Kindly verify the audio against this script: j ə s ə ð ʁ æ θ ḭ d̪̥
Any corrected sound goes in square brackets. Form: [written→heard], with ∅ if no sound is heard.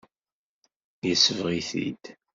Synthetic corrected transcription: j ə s ə [ð→v] ʁ [æ→i] θ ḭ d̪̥